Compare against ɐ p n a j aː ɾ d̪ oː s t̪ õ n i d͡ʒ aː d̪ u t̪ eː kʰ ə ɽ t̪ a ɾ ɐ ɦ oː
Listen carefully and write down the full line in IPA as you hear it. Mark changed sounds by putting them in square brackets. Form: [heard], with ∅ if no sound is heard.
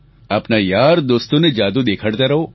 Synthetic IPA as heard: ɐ p n a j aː ɾ d̪ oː s t̪ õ n [e] d͡ʒ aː d̪ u [d̪] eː kʰ ə ɽ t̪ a ɾ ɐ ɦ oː